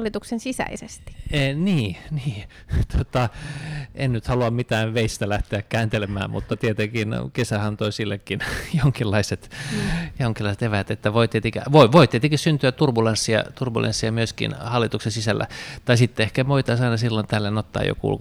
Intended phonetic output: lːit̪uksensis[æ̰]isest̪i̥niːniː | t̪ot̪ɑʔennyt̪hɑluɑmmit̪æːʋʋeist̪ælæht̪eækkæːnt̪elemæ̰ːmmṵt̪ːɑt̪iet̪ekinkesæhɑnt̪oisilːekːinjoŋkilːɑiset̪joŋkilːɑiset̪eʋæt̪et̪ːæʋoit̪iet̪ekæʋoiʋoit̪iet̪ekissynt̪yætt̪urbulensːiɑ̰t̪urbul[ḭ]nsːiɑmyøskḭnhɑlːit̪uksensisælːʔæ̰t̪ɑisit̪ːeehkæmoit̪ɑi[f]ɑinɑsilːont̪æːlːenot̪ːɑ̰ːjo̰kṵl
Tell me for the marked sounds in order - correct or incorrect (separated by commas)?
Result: correct, incorrect, incorrect